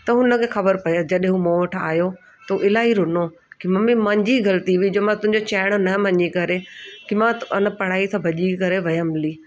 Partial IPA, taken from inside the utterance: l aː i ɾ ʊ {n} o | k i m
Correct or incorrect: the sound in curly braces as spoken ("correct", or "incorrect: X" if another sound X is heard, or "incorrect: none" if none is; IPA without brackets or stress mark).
correct